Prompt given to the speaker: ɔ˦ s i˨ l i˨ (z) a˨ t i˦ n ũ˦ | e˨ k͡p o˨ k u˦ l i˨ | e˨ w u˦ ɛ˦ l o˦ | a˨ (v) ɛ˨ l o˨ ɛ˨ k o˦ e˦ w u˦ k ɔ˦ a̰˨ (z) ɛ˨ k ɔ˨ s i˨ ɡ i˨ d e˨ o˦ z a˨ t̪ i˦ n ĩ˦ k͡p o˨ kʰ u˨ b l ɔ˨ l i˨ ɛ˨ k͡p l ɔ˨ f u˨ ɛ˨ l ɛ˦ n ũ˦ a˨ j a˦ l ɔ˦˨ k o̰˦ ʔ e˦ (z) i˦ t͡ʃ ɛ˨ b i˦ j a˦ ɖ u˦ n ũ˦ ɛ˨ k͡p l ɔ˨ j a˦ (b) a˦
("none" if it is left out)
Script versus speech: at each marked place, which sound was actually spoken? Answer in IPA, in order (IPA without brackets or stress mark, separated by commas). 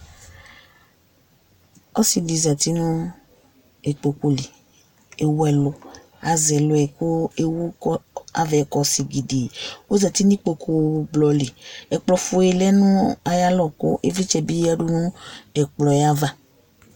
z, z, v, v, v